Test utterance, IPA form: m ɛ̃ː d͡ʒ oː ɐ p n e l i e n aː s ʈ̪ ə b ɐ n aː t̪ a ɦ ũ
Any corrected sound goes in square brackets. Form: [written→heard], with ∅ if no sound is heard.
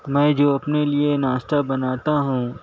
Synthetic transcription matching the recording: m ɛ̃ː d͡ʒ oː ɐ p n e l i e n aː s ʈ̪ [ə→a] b ɐ n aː t̪ a ɦ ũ

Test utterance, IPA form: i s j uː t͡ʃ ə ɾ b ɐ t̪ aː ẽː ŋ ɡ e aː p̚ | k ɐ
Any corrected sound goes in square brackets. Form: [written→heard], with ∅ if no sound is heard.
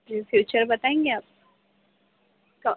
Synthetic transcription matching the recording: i [s→f] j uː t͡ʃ ə ɾ b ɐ t̪ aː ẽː ŋ ɡ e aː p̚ | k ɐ

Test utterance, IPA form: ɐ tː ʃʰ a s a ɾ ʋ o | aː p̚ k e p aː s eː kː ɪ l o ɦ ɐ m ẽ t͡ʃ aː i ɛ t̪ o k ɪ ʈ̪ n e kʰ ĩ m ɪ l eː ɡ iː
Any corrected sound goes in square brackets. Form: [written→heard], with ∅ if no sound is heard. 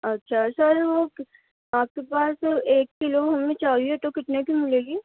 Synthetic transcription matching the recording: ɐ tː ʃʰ a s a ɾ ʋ o | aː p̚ k e p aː s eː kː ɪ l o ɦ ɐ m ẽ t͡ʃ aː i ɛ t̪ o k ɪ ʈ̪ n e [kʰ→k] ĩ m ɪ l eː ɡ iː

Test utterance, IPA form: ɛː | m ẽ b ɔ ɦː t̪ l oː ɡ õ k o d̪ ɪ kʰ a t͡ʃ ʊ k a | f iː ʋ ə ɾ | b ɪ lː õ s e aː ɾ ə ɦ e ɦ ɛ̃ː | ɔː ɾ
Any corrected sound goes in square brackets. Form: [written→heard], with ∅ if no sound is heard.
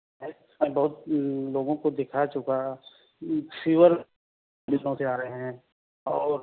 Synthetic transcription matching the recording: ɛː | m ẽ b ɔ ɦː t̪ l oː ɡ õ k o d̪ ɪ kʰ a t͡ʃ ʊ k a | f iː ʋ ə ɾ | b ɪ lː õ s e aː ɾ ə ɦ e ɦ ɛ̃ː | ɔː ɾ

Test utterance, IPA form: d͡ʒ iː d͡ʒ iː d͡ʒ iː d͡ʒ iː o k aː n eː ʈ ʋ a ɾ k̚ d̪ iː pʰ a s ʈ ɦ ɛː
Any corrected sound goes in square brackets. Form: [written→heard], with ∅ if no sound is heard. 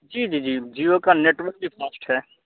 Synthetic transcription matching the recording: d͡ʒ iː d͡ʒ iː d͡ʒ iː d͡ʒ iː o k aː n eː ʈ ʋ [a→ə] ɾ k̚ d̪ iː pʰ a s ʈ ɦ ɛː

